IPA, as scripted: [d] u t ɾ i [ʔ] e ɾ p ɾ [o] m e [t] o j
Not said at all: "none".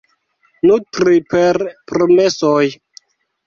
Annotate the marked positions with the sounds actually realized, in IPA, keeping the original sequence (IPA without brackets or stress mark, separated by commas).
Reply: n, p, o, s